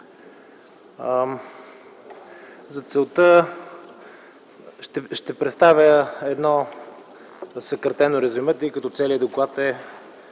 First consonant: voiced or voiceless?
voiced